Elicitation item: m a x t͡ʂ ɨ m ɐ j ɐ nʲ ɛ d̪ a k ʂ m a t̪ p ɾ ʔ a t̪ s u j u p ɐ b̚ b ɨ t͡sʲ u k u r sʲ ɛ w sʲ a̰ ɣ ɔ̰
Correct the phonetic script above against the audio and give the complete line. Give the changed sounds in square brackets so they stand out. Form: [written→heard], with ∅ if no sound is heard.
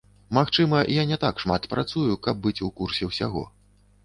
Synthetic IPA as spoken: m a x t͡ʂ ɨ m ɐ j [ɐ→a] nʲ ɛ [d̪→t̪] a k ʂ m a t̪ p ɾ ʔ a t̪ s u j u [p→k] ɐ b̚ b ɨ t͡sʲ u k u r sʲ ɛ w sʲ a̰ ɣ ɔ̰